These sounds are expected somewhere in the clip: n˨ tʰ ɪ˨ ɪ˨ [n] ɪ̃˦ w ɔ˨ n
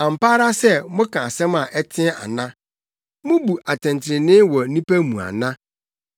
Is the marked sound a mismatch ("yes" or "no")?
no